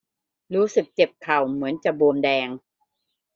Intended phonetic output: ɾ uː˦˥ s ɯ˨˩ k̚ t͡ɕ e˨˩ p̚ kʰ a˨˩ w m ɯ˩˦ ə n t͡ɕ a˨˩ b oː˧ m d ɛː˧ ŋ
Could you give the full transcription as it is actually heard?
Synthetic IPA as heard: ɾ uː˦˥ s ɯ˨˩ k̚ t͡ɕ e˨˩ p̚ kʰ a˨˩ w m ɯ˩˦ ə n t͡ɕ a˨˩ b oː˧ m d ɛː˧ ŋ